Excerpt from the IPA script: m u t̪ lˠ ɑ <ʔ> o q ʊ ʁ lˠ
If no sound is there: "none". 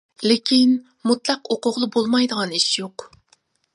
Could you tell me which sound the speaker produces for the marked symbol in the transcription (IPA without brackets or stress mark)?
q